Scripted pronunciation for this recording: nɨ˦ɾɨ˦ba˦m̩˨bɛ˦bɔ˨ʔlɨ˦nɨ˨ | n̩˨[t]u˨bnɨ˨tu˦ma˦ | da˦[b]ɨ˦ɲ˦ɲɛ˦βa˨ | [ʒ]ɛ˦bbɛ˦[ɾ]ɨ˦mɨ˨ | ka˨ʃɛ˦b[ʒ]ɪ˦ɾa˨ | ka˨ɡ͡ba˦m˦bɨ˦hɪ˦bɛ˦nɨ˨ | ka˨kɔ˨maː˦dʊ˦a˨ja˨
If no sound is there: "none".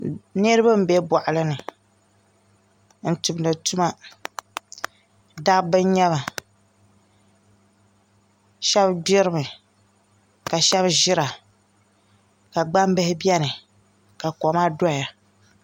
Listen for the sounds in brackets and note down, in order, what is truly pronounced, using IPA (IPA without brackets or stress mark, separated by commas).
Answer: t, b, ʃ, ɾ, ʒ